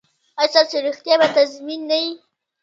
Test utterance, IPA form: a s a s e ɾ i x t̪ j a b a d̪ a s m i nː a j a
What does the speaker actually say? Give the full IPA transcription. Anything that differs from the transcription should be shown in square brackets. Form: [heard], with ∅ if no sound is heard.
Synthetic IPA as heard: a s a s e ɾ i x t̪ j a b a [t̪] a [z] m i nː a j [i]